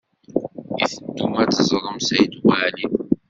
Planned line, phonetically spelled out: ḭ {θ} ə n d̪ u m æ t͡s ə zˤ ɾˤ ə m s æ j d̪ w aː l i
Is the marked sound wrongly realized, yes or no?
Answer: no